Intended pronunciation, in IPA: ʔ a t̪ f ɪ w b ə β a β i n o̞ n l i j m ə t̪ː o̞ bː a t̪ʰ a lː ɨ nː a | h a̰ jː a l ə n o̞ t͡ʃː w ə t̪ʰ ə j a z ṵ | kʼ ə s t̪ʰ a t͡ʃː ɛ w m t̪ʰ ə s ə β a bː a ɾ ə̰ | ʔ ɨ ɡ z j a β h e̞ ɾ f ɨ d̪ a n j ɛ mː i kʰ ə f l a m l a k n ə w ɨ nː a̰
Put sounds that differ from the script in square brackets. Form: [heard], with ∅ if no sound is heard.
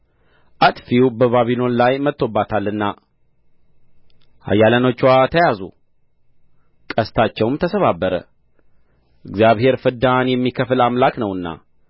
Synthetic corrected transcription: ʔ a t̪ f [i] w b ə β a β i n o̞ n l [a] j m ə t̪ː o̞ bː a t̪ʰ a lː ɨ nː a | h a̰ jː a l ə n o̞ t͡ʃː w [a] t̪ʰ ə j a z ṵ | kʼ ə s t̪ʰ a t͡ʃː ɛ w m t̪ʰ ə s ə β a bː [ə] ɾ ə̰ | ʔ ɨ ɡ z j a β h e̞ ɾ f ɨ d̪ a n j ɛ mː i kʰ ə f l a m l a k n ə w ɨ nː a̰